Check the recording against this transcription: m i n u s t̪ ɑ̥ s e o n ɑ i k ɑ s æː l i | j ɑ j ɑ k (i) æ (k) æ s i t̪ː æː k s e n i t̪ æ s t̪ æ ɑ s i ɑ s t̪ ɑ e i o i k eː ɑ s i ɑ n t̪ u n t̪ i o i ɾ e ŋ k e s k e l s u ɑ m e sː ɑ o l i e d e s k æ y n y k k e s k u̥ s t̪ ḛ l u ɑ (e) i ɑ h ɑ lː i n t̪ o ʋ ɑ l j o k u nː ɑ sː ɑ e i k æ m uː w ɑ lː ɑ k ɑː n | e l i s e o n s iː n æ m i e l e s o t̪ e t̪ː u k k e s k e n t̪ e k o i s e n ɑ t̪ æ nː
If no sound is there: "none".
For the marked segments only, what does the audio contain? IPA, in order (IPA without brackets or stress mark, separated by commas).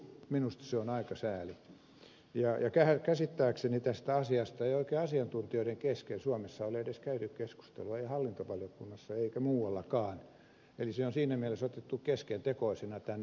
æ, k, e